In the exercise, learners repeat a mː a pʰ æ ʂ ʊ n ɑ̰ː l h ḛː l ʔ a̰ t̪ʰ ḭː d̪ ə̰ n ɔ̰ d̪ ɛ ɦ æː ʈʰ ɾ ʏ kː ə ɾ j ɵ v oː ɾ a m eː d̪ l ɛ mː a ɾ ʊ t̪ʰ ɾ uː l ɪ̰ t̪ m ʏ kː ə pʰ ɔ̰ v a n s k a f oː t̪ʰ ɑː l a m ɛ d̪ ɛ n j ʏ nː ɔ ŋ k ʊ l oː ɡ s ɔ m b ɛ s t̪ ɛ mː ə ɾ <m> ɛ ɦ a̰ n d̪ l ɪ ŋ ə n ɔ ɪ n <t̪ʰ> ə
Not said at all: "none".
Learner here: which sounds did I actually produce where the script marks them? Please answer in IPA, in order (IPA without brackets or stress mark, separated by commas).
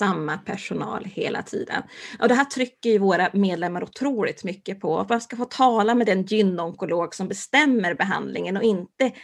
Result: b, t̪